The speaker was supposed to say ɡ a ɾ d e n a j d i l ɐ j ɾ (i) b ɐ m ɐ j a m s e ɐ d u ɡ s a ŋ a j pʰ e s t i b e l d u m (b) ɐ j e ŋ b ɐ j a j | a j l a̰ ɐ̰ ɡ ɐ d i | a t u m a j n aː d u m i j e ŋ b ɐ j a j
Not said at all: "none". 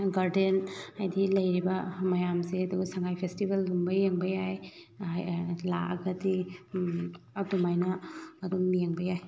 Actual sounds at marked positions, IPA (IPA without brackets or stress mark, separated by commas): i, b